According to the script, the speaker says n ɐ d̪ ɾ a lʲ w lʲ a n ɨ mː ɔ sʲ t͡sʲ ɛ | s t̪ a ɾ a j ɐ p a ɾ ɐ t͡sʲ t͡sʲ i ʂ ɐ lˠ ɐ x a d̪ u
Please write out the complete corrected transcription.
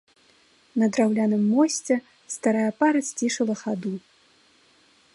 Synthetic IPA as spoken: n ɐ d̪ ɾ a w lʲ a n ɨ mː ɔ sʲ t͡sʲ ɛ | s t̪ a ɾ a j ɐ p a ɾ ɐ t͡sʲ t͡sʲ i ʂ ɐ lˠ ɐ x a d̪ u